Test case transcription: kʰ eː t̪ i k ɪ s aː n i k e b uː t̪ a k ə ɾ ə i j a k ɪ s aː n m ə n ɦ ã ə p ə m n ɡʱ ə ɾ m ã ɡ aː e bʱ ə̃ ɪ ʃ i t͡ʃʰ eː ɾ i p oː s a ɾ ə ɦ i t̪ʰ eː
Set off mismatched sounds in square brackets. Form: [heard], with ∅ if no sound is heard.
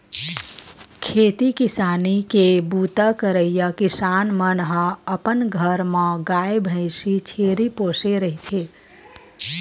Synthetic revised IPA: kʰ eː t̪ i k ɪ s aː n i k e b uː t̪ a k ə ɾ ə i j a k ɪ s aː n m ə n ɦ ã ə p ə [∅] n ɡʱ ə ɾ m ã ɡ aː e bʱ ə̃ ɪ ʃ i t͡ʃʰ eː ɾ i p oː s [e] ɾ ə ɦ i t̪ʰ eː